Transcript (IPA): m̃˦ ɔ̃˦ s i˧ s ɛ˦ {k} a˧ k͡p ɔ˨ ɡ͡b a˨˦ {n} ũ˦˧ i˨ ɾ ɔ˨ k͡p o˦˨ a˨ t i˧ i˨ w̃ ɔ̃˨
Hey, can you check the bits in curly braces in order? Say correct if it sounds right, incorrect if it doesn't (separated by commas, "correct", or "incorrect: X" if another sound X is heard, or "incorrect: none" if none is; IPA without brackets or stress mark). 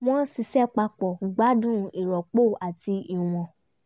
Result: incorrect: k͡p, incorrect: d